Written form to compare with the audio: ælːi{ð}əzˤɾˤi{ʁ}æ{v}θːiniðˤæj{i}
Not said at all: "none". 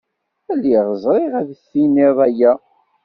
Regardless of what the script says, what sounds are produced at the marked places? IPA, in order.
ʁ, ʁ, ð, æ

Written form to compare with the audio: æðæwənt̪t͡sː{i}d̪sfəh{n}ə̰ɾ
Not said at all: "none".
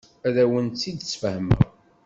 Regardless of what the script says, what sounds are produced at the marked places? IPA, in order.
i, m

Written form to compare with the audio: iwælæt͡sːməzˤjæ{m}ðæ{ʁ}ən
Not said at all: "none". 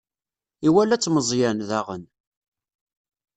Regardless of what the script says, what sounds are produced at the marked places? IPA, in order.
n, ʁ

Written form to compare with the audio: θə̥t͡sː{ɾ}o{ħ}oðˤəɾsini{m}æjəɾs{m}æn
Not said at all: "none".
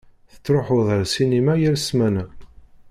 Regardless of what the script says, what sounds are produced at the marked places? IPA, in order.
ɾ, ħ, m, m

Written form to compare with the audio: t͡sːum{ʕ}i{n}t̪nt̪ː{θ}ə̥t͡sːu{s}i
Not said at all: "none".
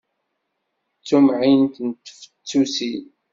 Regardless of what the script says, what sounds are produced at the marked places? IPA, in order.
ʕ, n, f, s

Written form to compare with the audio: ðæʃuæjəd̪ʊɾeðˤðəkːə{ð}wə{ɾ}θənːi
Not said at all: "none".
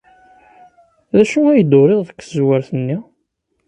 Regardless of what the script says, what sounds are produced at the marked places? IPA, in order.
z, ɾ

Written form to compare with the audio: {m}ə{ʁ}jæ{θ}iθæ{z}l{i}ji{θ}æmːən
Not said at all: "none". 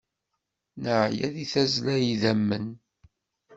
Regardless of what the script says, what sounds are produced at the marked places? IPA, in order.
n, ʕ, ð, z, æ, ð

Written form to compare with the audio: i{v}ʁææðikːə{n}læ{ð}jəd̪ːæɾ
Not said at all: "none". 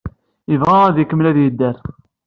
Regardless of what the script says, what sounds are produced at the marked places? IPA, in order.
v, m, ð

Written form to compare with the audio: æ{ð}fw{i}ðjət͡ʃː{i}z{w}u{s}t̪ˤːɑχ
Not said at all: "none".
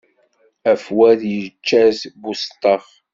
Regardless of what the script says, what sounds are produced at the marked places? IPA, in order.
none, æ, æ, b, s

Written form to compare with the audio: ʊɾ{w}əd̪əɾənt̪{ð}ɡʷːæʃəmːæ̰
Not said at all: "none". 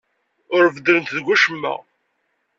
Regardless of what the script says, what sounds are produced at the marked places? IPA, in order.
v, ð

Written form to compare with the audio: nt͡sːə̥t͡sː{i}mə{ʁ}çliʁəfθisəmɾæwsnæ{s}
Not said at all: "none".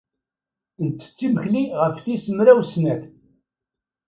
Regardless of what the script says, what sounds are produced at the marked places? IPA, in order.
i, none, θ

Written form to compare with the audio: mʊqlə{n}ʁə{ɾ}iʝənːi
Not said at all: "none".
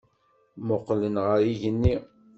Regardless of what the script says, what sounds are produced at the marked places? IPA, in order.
n, ɾ

